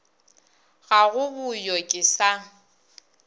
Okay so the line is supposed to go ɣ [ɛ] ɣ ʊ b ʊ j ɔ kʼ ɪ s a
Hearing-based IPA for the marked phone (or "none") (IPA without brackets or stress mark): a